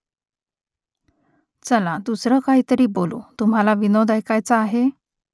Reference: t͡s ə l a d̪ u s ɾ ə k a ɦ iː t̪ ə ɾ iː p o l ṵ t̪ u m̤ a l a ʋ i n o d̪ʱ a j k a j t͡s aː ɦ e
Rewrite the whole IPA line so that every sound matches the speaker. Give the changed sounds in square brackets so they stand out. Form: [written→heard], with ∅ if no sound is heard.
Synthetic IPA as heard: t͡s ə l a d̪ u s ɾ ə k a ɦ iː t̪ ə ɾ iː [p→b] o l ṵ t̪ u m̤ a l a ʋ i n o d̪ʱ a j k a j t͡s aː ɦ e